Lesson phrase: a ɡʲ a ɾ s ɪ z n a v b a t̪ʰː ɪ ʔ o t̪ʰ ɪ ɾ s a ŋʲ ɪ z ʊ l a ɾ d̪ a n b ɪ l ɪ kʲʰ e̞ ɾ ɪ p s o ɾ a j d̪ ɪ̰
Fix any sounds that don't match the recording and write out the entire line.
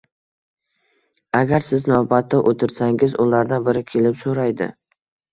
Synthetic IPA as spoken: a ɡʲ a ɾ s ɪ z n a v b a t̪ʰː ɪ ʔ o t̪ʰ ɪ ɾ s a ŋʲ ɪ z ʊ l a ɾ d̪ a n b ɪ ɾ ɪ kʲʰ e̞ l ɪ p s o ɾ a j d̪ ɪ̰